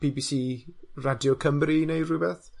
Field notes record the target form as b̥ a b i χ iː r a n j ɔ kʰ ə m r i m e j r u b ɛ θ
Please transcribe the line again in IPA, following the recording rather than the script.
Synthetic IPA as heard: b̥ i b i s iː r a d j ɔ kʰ ə m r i n e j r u b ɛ θ